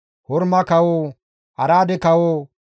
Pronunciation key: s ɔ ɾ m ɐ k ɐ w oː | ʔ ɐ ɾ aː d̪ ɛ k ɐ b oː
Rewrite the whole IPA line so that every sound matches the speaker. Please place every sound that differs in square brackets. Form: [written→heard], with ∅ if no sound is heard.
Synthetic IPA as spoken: [s→h] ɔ ɾ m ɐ k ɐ w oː | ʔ ɐ ɾ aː d̪ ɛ k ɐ [b→w] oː